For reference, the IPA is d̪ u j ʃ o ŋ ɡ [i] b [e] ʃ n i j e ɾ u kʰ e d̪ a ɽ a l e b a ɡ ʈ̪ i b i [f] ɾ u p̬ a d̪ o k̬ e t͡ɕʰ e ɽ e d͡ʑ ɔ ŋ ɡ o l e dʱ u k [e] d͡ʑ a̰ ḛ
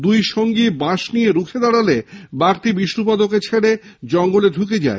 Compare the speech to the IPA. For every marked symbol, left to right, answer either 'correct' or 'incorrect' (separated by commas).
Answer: correct, incorrect, incorrect, correct